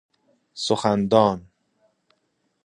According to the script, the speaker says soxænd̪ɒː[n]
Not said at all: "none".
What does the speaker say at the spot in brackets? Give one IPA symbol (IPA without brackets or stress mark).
n